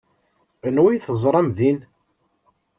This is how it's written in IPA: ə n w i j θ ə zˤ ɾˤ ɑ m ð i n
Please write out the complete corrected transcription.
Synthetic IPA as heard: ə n w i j θ ə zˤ ɾˤ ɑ m ð i n